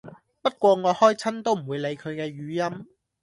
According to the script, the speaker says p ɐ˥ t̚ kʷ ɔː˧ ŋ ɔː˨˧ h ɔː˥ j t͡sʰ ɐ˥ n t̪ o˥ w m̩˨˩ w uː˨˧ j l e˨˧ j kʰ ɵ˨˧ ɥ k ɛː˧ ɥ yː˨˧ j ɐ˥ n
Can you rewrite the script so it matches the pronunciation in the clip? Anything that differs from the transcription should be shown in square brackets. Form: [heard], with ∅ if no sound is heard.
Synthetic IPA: p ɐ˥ t̚ kʷ ɔː˧ ŋ ɔː˨˧ h ɔː˥ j t͡sʰ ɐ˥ n t̪ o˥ w m̩˨˩ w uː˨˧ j l e˨˧ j kʰ ɵ˨˧ ɥ k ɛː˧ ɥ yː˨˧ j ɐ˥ [m]